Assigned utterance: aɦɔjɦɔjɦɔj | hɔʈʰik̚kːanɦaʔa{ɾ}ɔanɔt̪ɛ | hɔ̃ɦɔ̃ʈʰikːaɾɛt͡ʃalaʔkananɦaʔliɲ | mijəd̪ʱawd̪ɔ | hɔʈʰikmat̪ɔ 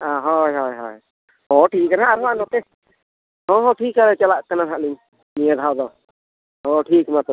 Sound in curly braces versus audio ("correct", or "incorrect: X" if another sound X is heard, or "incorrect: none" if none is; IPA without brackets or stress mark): correct